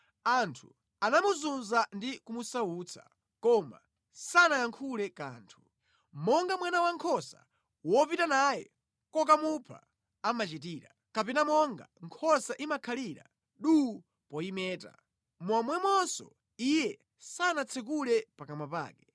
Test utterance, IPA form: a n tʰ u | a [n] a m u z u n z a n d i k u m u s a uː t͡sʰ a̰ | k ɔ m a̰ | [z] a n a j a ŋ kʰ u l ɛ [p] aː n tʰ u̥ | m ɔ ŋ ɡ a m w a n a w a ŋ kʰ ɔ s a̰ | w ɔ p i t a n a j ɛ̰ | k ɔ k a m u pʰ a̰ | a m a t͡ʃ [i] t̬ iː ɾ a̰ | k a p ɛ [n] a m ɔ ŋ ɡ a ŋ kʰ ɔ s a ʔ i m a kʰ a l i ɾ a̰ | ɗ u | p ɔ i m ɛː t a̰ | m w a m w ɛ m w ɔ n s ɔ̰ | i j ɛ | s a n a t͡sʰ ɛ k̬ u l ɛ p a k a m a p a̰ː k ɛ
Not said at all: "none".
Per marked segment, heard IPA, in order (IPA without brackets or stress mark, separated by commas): n, s, k, i, n